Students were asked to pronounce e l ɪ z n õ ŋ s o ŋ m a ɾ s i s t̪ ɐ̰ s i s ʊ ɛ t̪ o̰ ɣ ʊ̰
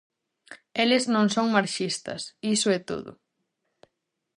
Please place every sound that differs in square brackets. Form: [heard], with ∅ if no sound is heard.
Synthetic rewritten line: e l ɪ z n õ ŋ s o ŋ m a ɾ [ʃ] i s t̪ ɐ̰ s i s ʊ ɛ t̪ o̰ [ð] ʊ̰